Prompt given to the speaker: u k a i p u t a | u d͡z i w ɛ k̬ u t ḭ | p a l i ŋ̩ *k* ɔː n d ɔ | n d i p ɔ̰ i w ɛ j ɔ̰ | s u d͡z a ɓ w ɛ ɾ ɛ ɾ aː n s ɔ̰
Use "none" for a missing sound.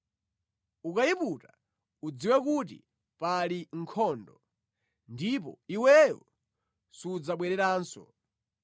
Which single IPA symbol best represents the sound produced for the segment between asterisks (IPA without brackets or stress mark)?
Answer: kʰ